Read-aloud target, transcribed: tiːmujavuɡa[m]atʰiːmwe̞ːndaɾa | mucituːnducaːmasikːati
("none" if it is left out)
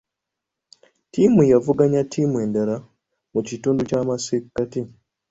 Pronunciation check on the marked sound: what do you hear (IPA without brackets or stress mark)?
ɲ